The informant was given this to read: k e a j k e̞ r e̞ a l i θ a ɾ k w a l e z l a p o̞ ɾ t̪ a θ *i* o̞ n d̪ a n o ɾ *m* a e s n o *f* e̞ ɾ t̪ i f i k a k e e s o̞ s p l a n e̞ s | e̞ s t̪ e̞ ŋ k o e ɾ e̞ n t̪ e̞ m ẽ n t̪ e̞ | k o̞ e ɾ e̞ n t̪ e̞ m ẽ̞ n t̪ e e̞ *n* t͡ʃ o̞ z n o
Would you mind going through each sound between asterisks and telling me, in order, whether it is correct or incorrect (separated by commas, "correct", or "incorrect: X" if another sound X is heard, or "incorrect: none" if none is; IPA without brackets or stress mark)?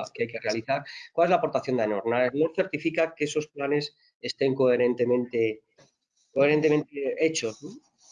incorrect: j, incorrect: n, incorrect: θ, incorrect: none